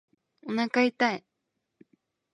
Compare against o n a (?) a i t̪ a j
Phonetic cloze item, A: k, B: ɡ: A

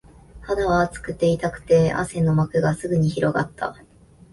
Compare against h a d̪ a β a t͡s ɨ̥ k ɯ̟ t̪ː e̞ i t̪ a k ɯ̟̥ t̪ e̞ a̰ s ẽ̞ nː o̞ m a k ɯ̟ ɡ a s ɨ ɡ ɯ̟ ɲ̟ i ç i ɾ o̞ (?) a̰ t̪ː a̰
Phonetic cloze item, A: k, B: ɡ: B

